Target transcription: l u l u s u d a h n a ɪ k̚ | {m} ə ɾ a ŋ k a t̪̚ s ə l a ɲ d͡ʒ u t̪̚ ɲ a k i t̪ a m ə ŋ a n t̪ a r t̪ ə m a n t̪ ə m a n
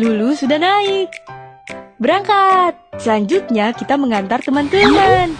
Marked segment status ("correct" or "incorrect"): incorrect